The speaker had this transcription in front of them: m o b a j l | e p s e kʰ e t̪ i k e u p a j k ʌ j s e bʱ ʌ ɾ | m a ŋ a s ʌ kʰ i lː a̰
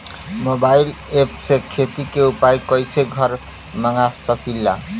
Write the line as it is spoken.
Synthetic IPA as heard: m o b a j l | e p s e kʰ e t̪ i k e u p a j k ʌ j s e ɡʱ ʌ ɾ | m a ŋ a s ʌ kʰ i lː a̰